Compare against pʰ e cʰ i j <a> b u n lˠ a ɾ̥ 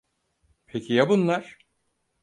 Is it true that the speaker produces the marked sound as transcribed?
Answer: yes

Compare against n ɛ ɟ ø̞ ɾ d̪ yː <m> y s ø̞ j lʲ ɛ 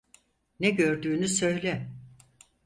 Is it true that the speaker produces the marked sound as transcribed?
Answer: no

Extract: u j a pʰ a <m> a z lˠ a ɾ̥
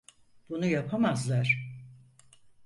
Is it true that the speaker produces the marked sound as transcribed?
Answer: yes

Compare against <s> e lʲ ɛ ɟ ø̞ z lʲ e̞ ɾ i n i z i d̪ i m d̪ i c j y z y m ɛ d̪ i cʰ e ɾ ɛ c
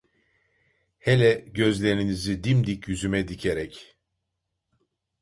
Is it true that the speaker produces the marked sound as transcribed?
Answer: no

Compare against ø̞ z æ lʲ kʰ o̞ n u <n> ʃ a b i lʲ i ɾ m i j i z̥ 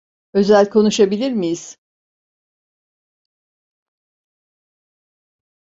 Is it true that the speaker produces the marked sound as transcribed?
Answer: no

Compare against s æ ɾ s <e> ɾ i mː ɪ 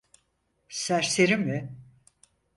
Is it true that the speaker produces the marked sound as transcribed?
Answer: yes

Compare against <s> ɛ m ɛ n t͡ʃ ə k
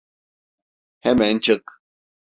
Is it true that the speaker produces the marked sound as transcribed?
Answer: no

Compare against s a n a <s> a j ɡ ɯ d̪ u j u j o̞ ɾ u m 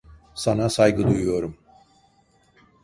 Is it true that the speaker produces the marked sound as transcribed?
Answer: yes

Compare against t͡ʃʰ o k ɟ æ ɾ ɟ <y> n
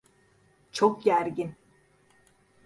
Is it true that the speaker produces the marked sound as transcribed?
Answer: no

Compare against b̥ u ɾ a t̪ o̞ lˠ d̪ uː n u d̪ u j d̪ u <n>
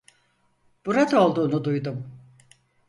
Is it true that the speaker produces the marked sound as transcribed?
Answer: no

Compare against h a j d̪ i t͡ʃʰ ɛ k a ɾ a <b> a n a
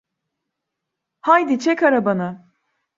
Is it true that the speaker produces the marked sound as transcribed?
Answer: yes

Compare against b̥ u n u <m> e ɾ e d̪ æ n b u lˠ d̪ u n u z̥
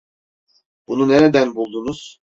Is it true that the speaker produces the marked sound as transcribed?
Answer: no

